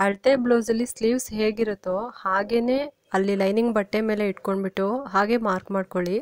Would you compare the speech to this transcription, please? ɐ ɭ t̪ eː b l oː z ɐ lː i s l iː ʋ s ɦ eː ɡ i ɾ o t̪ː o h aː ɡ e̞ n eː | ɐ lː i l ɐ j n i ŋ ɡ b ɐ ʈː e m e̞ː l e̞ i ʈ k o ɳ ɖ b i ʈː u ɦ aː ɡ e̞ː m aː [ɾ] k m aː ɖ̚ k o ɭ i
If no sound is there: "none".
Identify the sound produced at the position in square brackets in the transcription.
ɾ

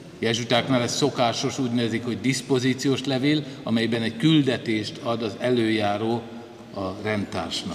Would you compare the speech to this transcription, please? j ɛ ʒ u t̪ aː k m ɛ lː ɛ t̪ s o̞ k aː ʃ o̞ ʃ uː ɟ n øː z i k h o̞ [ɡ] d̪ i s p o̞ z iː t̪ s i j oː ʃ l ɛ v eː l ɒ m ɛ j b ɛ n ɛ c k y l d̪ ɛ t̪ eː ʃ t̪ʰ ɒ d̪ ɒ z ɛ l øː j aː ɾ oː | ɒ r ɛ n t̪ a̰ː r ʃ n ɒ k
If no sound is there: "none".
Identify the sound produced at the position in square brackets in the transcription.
ɟ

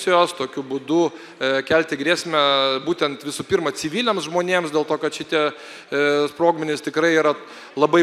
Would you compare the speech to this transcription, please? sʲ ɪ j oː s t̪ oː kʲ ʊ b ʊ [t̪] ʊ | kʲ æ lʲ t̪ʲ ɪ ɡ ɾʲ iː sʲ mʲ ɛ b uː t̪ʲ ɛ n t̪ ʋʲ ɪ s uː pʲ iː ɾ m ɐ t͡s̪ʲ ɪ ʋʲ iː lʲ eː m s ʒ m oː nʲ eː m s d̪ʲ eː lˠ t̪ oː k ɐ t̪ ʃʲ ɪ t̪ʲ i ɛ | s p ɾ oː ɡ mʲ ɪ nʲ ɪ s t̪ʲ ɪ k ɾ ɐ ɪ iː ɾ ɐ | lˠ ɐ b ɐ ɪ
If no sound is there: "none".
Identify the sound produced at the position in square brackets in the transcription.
d̪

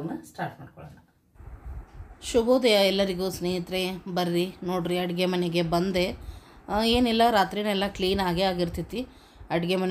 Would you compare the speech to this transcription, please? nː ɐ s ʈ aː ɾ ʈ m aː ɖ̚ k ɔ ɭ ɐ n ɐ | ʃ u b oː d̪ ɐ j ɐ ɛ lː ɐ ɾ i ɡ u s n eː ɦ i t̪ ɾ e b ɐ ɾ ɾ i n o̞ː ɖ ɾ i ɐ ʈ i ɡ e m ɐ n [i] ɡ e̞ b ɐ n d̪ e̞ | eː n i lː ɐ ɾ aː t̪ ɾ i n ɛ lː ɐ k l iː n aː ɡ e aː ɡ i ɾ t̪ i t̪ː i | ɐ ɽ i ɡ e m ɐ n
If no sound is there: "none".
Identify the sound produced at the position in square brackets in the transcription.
e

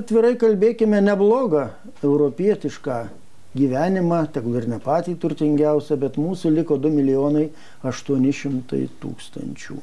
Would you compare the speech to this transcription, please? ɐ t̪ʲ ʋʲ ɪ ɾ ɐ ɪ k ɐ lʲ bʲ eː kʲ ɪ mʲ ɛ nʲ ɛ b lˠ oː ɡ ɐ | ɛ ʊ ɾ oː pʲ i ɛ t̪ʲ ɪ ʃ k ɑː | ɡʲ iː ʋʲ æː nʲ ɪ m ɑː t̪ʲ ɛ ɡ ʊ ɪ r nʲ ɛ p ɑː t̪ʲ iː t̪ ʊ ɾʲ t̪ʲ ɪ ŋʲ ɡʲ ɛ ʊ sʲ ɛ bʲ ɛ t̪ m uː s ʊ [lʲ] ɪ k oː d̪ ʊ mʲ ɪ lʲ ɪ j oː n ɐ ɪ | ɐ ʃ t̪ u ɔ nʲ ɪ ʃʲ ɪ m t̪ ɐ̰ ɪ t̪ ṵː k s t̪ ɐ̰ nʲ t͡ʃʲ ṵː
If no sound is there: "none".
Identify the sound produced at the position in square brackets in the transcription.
lʲ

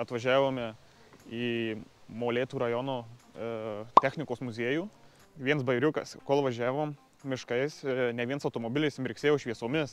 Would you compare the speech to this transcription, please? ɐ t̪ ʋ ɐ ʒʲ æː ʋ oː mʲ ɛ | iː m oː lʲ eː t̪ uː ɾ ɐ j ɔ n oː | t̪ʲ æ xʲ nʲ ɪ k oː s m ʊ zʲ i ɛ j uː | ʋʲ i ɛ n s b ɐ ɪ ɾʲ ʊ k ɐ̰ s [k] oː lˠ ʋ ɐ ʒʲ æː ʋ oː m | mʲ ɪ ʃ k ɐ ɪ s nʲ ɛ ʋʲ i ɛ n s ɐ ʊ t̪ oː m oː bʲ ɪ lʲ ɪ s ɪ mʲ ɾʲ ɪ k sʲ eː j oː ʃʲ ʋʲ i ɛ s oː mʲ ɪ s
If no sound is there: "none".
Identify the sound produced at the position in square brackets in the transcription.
k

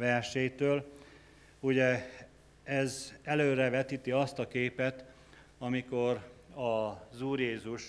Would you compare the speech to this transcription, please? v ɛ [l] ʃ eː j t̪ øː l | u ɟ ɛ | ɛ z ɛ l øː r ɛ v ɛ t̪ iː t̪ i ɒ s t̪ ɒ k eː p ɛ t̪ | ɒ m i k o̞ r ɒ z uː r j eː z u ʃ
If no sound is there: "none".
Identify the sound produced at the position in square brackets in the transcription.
r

